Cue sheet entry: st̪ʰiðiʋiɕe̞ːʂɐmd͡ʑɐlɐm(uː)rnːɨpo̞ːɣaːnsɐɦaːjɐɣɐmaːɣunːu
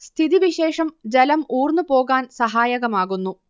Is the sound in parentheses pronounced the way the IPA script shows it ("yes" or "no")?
yes